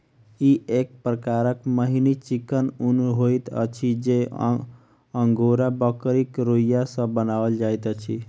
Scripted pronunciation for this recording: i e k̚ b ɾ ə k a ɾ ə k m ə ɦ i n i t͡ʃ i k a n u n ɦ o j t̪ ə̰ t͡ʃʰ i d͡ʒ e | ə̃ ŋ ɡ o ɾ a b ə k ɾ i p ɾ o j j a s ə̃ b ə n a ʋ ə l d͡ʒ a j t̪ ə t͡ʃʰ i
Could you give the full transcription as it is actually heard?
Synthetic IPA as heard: i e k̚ p ɾ ə k a ɾ ə k m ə ɦ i n i t͡ʃ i k ə n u n ɦ o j t̪ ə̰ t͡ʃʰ i d͡ʒ e | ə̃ ŋ ɡ o ɾ a b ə k ɾ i k ɾ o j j a s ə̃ b ə n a ʋ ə l d͡ʒ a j t̪ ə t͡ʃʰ i